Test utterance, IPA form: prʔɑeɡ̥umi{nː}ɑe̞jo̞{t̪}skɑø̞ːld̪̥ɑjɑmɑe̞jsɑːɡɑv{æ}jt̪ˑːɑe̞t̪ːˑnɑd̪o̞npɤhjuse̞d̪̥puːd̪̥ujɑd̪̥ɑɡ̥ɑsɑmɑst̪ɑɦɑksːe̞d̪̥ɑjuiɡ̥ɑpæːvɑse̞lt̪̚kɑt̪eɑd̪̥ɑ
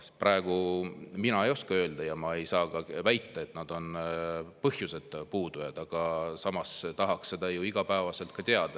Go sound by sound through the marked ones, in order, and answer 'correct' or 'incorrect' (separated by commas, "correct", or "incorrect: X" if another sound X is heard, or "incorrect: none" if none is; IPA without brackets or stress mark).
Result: incorrect: n, incorrect: none, correct